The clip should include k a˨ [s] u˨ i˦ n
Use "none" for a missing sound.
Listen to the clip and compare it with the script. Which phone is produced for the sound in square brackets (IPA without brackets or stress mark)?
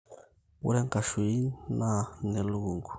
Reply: ʃ